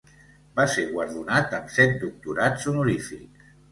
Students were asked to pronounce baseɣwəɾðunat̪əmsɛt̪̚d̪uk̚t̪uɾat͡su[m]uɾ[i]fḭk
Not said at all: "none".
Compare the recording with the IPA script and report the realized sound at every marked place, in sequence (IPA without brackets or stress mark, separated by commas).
n, i